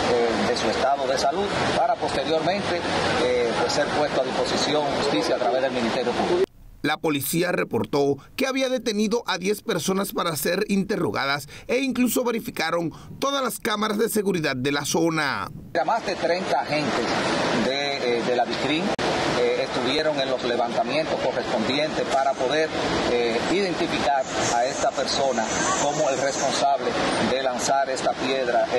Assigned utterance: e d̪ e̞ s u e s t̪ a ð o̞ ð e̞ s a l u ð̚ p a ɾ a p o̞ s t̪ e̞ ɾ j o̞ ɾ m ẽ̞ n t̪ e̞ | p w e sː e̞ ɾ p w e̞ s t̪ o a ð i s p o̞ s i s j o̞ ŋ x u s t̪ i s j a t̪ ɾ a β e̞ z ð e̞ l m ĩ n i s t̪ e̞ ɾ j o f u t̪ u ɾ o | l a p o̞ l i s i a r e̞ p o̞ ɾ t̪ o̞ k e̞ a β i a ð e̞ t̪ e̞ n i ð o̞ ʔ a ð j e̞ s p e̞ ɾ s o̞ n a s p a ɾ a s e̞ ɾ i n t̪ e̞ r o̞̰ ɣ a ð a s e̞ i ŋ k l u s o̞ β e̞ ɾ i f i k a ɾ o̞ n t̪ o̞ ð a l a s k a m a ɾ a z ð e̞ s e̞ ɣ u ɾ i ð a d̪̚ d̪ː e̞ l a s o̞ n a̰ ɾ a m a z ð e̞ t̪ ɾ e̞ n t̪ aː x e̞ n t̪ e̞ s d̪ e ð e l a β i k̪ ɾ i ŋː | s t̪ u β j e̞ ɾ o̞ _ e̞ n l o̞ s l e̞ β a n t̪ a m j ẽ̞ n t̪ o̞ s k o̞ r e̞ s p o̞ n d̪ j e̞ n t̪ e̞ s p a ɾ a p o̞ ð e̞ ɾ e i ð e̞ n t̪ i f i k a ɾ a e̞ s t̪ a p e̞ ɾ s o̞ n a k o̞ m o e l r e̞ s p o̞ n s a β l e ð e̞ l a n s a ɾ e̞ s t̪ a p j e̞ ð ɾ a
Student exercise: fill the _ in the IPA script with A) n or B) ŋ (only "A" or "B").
B